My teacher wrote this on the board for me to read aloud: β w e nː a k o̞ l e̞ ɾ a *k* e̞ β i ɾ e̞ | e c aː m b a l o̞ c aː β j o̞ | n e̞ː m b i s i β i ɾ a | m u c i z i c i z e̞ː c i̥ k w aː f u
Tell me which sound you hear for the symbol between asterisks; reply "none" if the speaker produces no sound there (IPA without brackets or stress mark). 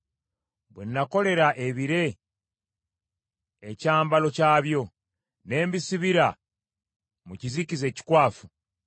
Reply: ʔ